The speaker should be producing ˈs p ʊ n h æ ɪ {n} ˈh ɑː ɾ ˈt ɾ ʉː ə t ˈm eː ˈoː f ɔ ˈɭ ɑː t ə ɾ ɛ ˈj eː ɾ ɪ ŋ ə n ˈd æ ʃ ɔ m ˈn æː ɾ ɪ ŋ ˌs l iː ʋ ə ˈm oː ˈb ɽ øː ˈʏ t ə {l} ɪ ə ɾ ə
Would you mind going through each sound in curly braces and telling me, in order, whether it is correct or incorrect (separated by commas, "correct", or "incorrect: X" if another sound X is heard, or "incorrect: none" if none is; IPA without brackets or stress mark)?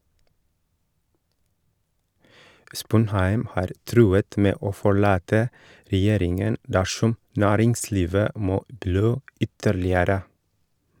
incorrect: m, incorrect: ɭ